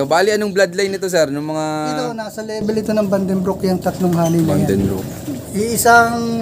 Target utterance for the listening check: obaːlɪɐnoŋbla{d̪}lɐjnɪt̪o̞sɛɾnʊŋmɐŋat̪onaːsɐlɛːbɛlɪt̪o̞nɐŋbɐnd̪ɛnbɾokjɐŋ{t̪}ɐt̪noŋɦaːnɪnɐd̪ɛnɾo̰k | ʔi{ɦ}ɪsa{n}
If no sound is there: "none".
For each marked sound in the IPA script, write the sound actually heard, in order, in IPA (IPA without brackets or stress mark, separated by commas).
d̪, t̪, none, ŋ